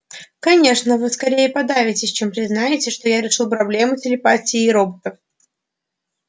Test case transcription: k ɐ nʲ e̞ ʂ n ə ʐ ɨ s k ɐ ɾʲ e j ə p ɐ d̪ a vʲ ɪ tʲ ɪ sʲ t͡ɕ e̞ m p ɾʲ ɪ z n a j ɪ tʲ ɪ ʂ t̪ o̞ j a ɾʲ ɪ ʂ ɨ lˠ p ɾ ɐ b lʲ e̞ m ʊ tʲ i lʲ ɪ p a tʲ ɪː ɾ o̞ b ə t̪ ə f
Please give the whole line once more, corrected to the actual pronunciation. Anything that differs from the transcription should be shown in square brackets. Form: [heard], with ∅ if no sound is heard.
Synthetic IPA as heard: k ɐ nʲ e̞ ʂ n ə [v] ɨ s k ɐ ɾʲ e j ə p ɐ d̪ a vʲ ɪ tʲ ɪ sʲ t͡ɕ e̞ m p ɾʲ ɪ z n a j ɪ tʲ ɪ ʂ t̪ o̞ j a ɾʲ ɪ ʂ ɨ lˠ p ɾ ɐ b lʲ e̞ m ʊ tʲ [ɪ] lʲ ɪ p a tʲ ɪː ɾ o̞ b ə t̪ ə f